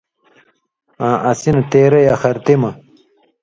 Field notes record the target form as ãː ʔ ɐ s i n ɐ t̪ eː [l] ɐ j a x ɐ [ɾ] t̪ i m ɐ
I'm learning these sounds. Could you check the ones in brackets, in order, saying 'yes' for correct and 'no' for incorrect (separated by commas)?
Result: no, yes